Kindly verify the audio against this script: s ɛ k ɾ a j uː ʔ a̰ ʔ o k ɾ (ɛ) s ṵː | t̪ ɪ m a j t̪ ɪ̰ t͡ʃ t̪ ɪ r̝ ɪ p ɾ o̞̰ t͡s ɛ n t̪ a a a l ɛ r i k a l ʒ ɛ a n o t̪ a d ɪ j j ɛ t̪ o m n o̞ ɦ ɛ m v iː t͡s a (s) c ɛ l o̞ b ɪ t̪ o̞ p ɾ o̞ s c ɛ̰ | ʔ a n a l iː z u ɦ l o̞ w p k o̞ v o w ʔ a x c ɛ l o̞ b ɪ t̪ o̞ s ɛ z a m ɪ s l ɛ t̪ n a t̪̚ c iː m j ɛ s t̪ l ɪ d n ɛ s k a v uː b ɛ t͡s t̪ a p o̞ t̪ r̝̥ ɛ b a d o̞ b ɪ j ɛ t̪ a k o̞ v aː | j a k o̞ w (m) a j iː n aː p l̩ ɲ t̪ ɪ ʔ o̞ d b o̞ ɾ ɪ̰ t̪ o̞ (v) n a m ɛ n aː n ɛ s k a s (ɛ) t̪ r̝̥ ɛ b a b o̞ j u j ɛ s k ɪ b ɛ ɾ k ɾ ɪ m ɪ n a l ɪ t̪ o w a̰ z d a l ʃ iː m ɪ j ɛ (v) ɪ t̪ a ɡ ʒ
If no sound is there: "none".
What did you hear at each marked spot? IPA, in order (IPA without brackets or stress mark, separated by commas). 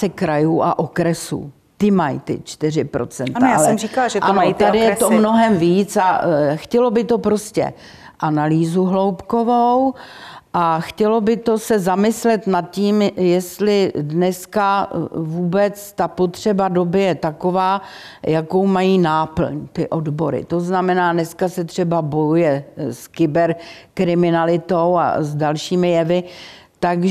ɛ, x, m, z, ɛ, v